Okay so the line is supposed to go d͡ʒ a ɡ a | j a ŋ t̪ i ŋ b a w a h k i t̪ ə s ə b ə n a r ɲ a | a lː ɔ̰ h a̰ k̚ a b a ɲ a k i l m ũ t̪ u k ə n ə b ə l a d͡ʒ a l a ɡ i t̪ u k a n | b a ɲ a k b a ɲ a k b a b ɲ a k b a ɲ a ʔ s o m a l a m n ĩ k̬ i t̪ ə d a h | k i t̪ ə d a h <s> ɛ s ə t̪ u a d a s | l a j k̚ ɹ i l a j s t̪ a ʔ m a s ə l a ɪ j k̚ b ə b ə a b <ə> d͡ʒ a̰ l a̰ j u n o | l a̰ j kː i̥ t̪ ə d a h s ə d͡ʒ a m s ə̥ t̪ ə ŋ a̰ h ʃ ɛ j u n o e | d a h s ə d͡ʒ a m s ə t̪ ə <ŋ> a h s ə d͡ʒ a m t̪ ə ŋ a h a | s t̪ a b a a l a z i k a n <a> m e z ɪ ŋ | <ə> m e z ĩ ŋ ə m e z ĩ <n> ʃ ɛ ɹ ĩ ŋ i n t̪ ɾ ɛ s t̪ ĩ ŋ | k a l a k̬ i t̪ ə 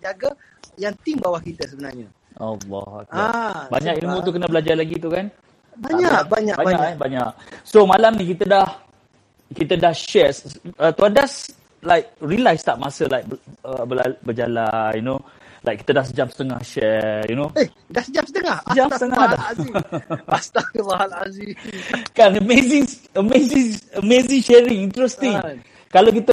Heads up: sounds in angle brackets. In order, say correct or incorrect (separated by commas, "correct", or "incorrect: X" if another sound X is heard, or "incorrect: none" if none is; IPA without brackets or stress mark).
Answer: incorrect: ʃ, correct, correct, incorrect: ə, correct, incorrect: ŋ